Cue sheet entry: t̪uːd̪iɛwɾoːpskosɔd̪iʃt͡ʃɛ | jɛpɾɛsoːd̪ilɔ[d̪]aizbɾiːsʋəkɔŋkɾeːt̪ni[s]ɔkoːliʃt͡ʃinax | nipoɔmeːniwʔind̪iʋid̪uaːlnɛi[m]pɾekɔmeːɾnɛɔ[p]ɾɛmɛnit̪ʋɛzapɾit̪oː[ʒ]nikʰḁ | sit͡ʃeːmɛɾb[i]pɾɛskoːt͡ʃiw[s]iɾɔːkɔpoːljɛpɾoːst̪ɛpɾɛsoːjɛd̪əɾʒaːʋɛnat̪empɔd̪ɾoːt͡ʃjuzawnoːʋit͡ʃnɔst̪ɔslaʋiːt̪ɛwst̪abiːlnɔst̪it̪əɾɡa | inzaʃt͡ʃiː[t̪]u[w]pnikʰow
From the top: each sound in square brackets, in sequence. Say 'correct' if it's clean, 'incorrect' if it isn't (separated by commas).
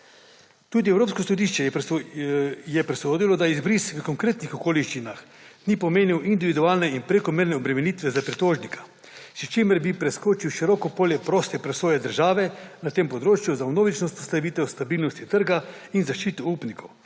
correct, incorrect, incorrect, incorrect, correct, correct, incorrect, correct, incorrect